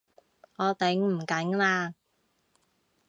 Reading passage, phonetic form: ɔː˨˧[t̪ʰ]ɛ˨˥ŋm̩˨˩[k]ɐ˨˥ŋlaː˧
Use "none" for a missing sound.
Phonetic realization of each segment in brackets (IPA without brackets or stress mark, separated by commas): t̪, k